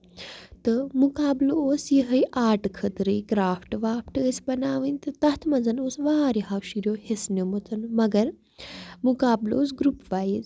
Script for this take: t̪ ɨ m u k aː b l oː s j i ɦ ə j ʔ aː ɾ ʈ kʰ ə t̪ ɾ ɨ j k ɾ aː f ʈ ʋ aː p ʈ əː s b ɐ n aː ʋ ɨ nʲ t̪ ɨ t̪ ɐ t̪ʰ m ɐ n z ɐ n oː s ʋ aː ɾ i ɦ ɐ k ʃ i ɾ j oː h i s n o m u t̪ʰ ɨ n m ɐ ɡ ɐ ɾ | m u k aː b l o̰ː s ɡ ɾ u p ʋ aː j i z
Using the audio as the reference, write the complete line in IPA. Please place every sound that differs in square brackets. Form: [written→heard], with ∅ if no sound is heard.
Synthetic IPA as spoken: t̪ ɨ m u k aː b l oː s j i ɦ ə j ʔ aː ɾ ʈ kʰ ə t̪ ɾ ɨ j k ɾ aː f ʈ ʋ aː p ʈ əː s b ɐ n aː ʋ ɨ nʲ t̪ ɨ t̪ ɐ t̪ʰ m ɐ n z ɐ n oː s ʋ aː ɾ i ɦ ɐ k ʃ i ɾ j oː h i s n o m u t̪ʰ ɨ n m ɐ ɡ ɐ ɾ | m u k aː b l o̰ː s ɡ ɾ u p ʋ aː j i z